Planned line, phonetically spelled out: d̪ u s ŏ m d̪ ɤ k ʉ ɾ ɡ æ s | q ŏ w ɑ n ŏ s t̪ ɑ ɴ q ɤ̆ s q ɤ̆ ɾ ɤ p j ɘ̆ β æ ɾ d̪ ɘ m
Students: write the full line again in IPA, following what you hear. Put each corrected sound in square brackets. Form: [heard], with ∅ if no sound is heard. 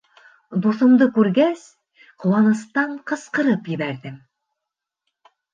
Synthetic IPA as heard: d̪ u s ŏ m d̪ ɤ k ʉ ɾ ɡ æ s | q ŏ w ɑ n [ɤ̆] s t̪ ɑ ɴ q ɤ̆ s q ɤ̆ ɾ ɤ p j ɘ̆ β æ ɾ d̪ ɘ m